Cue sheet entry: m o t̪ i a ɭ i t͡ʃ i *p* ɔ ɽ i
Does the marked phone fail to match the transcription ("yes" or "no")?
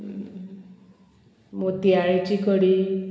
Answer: yes